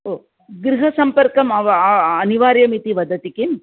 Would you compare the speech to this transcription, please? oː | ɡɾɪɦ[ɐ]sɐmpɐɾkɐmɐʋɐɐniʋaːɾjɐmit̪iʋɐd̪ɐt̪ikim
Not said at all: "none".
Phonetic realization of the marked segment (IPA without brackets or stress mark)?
ɐ